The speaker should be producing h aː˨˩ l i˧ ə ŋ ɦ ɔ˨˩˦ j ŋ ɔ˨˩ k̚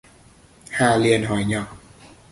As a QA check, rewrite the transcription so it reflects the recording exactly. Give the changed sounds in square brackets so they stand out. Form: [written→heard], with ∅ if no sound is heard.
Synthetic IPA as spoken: h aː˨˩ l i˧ ə [ŋ→n] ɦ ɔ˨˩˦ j [ŋ→ɲ] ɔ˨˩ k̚